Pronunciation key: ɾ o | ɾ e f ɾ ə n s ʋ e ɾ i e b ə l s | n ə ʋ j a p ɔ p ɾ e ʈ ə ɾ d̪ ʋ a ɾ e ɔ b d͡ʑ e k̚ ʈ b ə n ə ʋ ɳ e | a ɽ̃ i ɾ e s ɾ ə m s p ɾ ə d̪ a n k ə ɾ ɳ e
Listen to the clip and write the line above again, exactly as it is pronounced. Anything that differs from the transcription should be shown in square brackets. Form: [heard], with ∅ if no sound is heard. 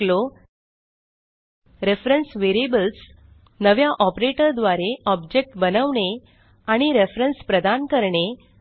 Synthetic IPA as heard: [l] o | ɾ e f ɾ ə n s ʋ e ɾ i e b ə l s | n ə ʋ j a [ʔ] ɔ p ɾ e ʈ ə ɾ d̪ ʋ a ɾ e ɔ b d͡ʑ e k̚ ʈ b ə n ə ʋ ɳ e | a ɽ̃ i ɾ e [f] ɾ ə [n] s p ɾ ə d̪ a n k ə ɾ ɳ e